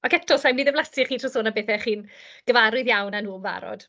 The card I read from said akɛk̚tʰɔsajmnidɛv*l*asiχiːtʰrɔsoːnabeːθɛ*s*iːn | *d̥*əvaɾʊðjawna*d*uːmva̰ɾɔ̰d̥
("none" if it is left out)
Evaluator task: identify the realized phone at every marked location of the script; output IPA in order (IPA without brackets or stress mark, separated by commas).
l, χ, ɡ̥, n